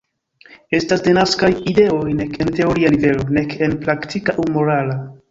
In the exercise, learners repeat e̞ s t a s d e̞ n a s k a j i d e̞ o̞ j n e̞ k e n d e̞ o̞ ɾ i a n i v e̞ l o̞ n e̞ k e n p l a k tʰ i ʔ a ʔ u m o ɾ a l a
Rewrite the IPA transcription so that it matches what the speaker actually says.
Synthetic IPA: e̞ s t a s d e̞ n a s k a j i d e̞ o̞ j n e̞ k e n t e̞ o̞ ɾ i a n i v e̞ l o̞ n e̞ k e n p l a k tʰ i k a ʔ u m o ɾ a l a